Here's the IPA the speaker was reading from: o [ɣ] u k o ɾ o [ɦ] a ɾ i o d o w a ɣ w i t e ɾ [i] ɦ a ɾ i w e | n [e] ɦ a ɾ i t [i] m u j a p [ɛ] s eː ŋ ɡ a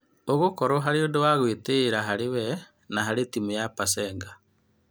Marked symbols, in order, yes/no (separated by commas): yes, yes, no, no, yes, no